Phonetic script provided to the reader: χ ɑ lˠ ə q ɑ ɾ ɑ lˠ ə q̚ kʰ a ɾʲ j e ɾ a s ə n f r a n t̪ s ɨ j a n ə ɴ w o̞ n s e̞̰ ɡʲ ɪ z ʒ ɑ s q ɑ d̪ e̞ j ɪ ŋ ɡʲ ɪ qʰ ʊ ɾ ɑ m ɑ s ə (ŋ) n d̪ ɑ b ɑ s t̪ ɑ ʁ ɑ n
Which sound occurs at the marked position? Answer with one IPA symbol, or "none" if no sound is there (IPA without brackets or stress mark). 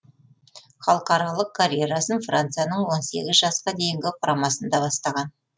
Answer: none